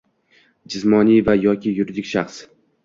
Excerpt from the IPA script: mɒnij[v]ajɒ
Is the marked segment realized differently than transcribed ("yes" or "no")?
no